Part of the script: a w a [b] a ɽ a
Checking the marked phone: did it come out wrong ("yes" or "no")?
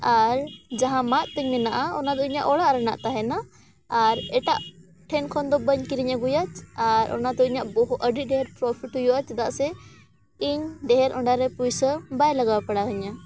yes